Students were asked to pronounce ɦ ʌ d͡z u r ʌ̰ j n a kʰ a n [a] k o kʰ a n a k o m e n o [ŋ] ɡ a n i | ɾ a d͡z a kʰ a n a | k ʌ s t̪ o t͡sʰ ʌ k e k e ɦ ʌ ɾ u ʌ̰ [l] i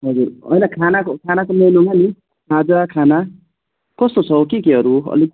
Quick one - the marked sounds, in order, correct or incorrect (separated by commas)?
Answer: correct, correct, correct